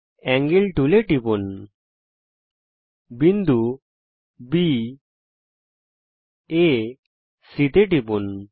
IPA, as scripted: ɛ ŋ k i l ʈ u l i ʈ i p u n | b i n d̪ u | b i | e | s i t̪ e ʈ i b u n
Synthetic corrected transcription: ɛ ŋ ɡ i l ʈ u l e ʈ i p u n | b i n d̪ u | b i | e | s i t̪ e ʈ i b u n